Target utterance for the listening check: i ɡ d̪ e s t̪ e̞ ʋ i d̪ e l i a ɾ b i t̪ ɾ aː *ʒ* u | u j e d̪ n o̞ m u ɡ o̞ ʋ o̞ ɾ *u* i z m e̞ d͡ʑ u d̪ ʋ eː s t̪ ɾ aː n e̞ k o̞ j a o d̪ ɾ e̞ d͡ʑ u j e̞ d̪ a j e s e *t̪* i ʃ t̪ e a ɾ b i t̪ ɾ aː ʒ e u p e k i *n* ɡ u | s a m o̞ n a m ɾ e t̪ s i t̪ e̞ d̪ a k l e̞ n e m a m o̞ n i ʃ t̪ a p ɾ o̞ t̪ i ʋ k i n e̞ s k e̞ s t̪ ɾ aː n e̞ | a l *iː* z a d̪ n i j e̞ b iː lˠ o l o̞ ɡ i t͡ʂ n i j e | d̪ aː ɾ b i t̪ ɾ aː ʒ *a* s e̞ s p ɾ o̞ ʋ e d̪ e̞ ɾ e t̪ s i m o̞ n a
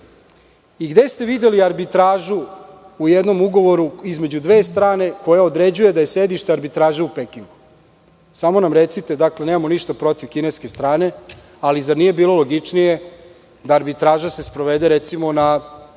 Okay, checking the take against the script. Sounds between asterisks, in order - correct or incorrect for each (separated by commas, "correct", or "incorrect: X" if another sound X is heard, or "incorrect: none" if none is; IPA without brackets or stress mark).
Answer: correct, correct, incorrect: d̪, incorrect: ŋ, incorrect: i, correct